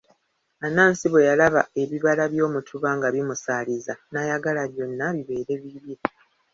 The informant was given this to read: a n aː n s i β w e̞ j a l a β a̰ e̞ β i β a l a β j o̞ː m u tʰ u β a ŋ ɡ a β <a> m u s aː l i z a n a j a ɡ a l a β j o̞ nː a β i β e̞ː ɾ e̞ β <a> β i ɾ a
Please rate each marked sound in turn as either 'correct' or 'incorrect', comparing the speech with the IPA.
incorrect: i, incorrect: i

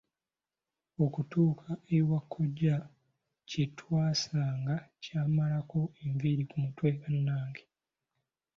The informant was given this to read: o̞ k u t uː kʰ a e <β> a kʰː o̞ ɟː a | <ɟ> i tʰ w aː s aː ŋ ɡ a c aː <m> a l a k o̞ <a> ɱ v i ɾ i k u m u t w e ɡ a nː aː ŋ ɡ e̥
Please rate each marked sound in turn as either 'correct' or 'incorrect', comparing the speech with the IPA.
incorrect: w, incorrect: c, correct, incorrect: e

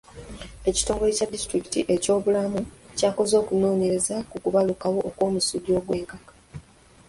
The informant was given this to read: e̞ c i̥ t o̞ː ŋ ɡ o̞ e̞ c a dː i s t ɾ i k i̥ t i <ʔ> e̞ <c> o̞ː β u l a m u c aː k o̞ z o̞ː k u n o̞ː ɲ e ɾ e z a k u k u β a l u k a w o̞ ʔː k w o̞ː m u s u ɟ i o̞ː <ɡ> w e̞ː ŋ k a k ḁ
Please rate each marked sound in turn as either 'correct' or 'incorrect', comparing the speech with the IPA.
correct, correct, correct

